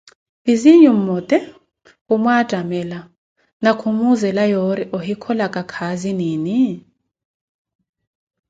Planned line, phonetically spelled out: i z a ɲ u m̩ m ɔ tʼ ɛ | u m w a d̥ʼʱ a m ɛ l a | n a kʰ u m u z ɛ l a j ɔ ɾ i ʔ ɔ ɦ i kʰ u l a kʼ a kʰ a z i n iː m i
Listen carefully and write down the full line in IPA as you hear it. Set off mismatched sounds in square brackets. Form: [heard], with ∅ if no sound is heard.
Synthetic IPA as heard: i z [i] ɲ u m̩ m ɔ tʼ ɛ | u m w a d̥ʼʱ a m ɛ l a | n a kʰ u m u z ɛ l a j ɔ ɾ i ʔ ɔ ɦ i kʰ [ɔ] l a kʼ a kʰ a z i n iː [n] i

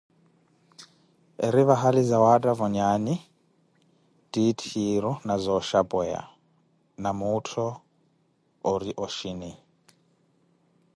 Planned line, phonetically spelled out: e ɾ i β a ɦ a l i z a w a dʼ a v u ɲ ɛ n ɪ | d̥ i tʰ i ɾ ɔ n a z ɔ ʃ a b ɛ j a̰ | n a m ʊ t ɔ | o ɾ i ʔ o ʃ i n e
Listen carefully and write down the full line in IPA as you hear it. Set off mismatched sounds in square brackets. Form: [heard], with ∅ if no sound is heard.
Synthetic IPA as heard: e ɾ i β a ɦ a l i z a w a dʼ a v [ɔ] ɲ [a] n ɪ | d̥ i tʰ i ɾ ɔ n a z ɔ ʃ a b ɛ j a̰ | n a m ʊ [tʰ] ɔ | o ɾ i ʔ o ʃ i n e

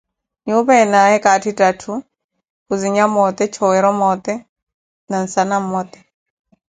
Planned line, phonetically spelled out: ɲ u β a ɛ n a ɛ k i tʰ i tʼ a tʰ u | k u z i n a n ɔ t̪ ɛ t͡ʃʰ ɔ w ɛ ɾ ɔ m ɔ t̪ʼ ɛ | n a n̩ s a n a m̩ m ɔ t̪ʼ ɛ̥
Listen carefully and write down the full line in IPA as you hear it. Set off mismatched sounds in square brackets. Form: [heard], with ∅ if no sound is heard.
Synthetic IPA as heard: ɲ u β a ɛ n a ɛ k [a] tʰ i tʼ a tʰ u | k u z i [ɲ] a [m] ɔ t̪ ɛ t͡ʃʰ ɔ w ɛ ɾ ɔ m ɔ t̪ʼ ɛ | n a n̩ s a n a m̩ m ɔ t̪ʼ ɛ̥

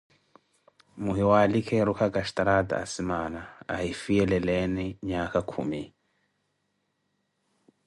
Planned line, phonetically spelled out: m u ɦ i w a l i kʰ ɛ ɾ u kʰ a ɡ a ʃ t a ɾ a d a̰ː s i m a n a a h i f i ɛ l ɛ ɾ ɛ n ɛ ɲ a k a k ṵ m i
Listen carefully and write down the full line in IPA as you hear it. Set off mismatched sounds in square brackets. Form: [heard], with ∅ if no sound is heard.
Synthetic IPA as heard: m u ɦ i w a l i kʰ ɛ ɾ u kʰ a ɡ a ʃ t a ɾ a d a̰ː s i m a n a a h i f i ɛ l ɛ [l] ɛ n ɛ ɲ a k a [kʰ] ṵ m i

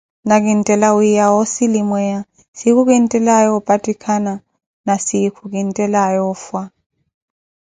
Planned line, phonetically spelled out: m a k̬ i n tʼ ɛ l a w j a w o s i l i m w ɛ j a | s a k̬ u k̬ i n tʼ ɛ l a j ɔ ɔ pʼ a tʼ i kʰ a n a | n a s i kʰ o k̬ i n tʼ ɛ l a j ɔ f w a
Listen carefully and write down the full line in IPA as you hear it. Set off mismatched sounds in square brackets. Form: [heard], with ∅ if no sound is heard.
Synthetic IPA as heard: [n] a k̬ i n tʼ ɛ l a w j a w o s i l i m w ɛ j a | s [i] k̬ u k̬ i n tʼ ɛ l a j ɔ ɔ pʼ a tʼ i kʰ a n a | n a s i kʰ [u] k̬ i n tʼ ɛ l a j ɔ f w a

